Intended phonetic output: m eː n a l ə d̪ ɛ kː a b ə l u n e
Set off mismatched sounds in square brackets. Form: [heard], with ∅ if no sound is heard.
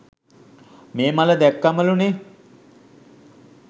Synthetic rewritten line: m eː [m] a l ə d̪ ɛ kː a [m] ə l u n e